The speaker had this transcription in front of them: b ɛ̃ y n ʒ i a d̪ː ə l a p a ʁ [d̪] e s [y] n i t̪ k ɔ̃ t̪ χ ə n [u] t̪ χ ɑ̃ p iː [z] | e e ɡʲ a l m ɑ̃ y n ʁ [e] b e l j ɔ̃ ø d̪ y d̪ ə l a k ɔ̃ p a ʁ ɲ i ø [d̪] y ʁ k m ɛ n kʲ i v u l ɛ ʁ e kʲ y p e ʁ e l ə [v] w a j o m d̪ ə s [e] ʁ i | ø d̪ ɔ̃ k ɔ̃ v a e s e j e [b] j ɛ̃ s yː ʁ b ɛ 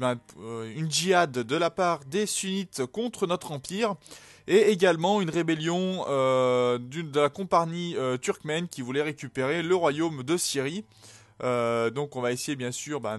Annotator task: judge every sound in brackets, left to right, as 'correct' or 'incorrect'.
correct, correct, incorrect, incorrect, correct, incorrect, incorrect, incorrect, correct

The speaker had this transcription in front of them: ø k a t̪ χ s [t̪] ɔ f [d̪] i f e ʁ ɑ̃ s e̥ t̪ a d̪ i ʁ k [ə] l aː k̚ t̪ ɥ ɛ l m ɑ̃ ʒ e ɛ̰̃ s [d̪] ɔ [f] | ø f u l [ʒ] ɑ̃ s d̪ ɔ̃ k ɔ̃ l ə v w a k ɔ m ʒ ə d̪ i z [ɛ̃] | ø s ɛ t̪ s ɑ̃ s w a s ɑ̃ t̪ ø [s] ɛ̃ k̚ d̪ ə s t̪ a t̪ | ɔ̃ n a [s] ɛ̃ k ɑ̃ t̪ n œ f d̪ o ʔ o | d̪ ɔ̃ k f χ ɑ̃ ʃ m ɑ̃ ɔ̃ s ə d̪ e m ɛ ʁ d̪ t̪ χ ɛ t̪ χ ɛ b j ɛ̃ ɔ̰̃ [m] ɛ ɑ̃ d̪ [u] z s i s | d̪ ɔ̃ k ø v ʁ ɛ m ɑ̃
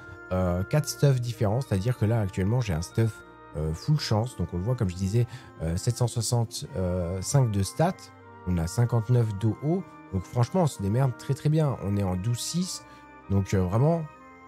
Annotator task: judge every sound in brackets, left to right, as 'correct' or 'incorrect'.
correct, correct, correct, incorrect, correct, incorrect, incorrect, correct, correct, incorrect, correct

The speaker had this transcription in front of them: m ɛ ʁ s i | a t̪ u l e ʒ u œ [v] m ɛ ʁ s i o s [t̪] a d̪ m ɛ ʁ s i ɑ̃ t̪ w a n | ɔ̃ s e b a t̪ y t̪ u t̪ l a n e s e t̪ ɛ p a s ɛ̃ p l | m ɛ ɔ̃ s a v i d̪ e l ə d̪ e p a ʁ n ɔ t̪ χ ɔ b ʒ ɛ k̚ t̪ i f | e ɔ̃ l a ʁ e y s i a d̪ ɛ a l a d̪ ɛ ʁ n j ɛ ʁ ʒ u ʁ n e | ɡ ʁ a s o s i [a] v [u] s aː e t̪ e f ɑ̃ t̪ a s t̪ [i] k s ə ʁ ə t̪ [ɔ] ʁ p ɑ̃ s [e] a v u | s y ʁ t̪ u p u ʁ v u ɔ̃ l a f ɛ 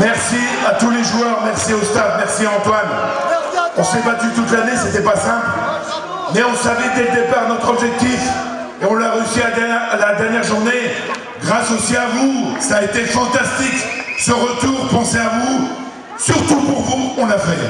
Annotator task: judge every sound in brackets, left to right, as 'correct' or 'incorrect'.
incorrect, correct, correct, correct, correct, incorrect, correct

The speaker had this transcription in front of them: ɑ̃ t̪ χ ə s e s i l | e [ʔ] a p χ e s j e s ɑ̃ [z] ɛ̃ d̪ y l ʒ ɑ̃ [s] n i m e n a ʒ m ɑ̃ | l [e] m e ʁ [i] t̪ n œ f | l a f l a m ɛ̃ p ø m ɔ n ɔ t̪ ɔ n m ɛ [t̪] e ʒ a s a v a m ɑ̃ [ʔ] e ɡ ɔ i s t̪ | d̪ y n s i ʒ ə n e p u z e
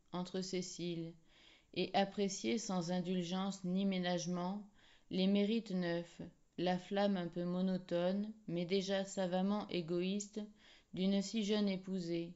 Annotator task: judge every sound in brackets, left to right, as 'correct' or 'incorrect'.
correct, correct, correct, correct, correct, incorrect, correct

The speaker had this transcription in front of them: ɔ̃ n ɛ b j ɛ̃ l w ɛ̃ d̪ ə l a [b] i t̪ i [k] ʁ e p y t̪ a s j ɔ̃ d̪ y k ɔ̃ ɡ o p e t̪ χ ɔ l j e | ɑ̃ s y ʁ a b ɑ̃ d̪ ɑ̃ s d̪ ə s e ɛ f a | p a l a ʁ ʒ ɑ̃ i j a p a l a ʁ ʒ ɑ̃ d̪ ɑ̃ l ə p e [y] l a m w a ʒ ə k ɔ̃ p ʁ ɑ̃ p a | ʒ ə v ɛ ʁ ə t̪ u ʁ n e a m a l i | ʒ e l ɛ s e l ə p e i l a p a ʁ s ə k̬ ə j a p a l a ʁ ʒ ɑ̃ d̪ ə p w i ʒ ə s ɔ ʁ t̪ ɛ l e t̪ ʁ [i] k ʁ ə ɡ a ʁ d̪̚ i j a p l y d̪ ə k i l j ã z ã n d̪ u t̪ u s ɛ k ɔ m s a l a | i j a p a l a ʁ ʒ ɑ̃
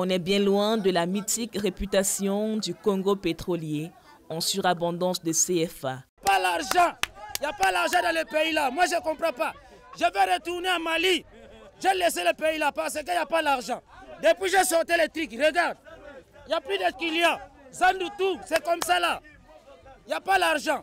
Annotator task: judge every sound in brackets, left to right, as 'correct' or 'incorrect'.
incorrect, correct, incorrect, correct

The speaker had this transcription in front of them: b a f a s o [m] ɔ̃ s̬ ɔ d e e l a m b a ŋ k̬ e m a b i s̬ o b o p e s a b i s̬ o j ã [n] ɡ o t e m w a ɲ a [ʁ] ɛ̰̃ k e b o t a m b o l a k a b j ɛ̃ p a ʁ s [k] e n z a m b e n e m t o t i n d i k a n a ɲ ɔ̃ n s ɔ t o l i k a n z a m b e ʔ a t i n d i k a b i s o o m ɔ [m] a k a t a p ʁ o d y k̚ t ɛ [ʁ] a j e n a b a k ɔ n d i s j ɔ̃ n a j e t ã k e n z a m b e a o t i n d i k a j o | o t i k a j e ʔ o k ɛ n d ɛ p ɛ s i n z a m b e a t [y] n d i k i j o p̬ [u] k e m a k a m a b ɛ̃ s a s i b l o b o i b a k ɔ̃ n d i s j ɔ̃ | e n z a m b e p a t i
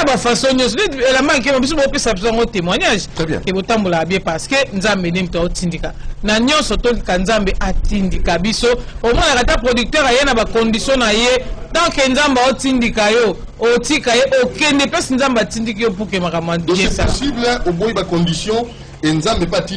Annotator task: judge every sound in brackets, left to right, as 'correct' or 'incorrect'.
incorrect, incorrect, incorrect, correct, incorrect, correct, incorrect, correct

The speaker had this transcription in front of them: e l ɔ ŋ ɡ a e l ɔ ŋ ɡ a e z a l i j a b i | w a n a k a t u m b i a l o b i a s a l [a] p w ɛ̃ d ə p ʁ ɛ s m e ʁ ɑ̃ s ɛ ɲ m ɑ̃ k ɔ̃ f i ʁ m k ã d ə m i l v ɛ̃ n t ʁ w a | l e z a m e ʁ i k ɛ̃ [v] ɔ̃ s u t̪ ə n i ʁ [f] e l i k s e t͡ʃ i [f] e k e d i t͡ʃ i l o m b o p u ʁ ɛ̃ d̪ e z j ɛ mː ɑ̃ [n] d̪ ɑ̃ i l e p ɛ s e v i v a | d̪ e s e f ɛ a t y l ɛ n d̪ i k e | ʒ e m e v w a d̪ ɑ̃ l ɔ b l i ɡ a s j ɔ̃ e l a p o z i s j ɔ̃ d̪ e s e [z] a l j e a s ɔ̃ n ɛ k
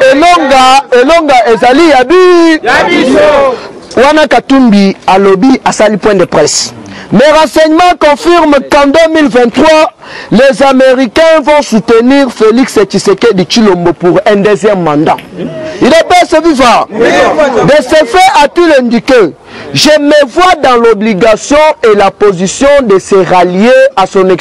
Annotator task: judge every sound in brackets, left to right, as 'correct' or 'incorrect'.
incorrect, correct, correct, incorrect, correct, incorrect

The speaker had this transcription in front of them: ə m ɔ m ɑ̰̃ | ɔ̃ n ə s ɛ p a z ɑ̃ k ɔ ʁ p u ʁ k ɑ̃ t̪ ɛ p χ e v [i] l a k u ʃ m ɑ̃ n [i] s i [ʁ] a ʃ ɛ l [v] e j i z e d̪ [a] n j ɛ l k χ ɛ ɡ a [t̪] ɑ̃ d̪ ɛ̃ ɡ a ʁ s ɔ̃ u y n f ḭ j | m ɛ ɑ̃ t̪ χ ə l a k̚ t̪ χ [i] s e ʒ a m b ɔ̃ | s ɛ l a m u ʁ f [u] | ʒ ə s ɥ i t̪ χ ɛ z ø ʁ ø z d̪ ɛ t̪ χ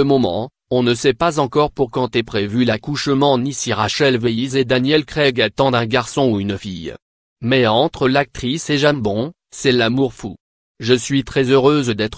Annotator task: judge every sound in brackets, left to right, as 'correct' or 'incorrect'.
incorrect, correct, correct, correct, correct, correct, correct, correct

